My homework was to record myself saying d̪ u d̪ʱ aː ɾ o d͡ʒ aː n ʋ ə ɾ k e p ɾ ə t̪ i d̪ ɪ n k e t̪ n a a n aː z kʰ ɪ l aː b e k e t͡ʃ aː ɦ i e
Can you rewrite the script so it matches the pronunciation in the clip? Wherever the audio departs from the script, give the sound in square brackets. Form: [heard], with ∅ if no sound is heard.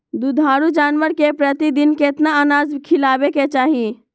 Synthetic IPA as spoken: d̪ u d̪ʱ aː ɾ [u] d͡ʒ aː n ʋ ə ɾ k e p ɾ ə t̪ i d̪ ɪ n k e t̪ n a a n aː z kʰ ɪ l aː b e k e t͡ʃ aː ɦ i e